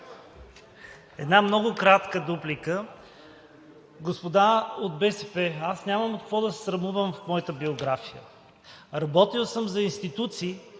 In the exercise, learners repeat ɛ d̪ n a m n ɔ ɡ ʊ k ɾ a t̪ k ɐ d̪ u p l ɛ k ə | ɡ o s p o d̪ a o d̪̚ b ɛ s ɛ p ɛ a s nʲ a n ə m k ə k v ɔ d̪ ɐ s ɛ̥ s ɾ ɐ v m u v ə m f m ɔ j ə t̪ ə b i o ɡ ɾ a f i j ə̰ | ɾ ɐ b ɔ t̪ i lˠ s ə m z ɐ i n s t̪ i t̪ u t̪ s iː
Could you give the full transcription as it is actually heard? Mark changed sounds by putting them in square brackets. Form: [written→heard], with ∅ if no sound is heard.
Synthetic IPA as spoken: ɛ d̪ n a m n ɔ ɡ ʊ k ɾ a t̪ k [ɐ→ə] d̪ u p l [ɛ→i] k ə | ɡ o s p o d̪ a o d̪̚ b ɛ s ɛ p ɛ a s nʲ a [n→m] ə m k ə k v ɔ d̪ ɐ s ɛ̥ s ɾ ɐ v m u v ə m f m ɔ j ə t̪ ə b i o ɡ ɾ a f i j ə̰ | ɾ ɐ b ɔ t̪ i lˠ s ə m z ɐ i n s t̪ i t̪ u t̪ s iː

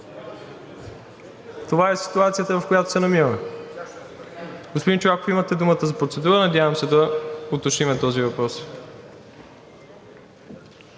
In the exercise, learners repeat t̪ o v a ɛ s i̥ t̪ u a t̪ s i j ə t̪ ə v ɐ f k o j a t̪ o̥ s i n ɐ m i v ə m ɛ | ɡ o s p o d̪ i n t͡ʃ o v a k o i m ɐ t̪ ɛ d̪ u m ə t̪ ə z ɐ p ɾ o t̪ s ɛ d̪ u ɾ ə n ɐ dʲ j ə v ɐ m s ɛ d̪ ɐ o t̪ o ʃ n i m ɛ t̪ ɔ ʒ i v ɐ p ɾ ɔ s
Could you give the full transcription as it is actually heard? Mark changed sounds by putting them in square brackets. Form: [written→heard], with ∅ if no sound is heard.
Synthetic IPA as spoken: t̪ o v a ɛ s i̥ t̪ u a t̪ s i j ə t̪ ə v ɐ f k o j a t̪ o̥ s [i→ɛ] n ɐ m i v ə m ɛ | ɡ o s p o d̪ i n t͡ʃ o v a k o i m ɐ t̪ ɛ d̪ u m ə t̪ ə z ɐ p ɾ o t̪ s ɛ d̪ u ɾ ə n ɐ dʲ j [ə→a] v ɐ m s ɛ d̪ ɐ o t̪ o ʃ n i m ɛ t̪ ɔ [ʒ→z] i v ɐ p ɾ ɔ s

